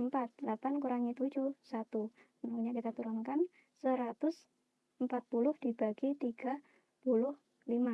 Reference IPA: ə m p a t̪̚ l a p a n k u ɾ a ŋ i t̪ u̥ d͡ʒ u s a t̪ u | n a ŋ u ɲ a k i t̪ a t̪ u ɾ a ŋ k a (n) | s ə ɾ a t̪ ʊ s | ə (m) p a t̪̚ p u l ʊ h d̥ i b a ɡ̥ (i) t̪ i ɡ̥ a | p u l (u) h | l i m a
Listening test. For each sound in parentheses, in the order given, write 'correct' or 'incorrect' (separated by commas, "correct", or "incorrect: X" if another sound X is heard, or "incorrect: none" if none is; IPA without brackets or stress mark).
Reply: correct, correct, correct, incorrect: ʊ